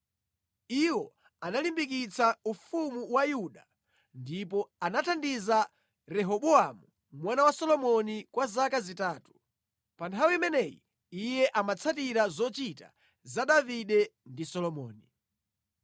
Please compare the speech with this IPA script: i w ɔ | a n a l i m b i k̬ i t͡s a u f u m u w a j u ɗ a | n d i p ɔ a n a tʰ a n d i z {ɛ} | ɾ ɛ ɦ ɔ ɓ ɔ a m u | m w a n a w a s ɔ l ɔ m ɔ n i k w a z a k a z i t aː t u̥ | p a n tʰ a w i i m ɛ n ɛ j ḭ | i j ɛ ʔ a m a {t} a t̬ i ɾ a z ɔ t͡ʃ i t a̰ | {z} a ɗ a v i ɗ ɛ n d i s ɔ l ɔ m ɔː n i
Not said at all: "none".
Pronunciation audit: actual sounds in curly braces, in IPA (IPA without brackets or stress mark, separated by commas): a, t͡sʰ, z